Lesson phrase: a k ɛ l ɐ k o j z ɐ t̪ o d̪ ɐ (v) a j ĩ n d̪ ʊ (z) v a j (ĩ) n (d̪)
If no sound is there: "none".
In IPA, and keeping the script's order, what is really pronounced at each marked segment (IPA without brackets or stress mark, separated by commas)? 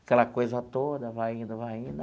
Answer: v, none, ĩ, d̪